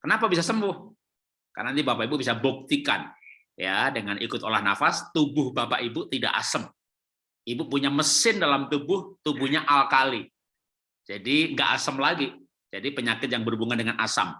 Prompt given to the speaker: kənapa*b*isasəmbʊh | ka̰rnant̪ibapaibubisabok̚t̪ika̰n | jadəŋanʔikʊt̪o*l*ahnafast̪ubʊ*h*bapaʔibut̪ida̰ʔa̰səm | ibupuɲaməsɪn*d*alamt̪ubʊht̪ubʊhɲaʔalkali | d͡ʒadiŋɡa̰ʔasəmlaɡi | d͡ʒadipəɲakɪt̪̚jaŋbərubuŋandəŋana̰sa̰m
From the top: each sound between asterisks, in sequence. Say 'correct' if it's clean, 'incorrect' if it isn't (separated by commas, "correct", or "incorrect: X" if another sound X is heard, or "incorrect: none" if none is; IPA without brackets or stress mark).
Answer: correct, correct, correct, correct